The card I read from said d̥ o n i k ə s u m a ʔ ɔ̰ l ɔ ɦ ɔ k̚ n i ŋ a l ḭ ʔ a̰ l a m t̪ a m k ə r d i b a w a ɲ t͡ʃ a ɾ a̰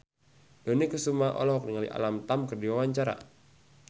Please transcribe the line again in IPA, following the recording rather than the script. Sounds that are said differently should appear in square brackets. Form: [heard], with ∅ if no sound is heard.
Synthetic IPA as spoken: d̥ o n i k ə s u m a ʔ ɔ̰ l ɔ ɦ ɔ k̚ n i ŋ a l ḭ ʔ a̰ l a m t̪ a m k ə r d i [w] a w a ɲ t͡ʃ a ɾ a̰